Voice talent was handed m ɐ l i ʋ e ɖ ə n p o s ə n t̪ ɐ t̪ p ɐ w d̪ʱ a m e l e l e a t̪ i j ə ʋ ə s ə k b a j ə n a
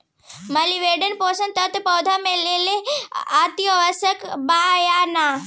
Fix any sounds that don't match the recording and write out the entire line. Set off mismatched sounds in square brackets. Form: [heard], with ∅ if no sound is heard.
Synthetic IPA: m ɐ l i ʋ e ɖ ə n p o s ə n t̪ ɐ t̪ p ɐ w d̪ʱ a m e l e l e a t̪ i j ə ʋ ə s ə k b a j [a] n a